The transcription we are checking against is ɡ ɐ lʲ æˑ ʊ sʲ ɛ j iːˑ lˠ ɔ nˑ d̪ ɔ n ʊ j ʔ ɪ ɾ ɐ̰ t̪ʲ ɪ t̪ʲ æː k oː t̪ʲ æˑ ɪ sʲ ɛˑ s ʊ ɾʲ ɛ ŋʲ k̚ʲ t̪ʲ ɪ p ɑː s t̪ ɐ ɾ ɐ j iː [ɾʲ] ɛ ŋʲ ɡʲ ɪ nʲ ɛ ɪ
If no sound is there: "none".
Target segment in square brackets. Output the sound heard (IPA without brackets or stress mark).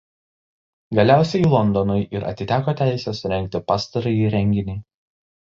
ɾʲ